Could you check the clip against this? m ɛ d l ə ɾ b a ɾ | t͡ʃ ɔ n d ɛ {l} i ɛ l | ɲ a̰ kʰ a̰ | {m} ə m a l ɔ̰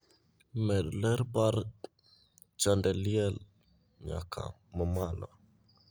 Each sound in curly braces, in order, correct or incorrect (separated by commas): correct, correct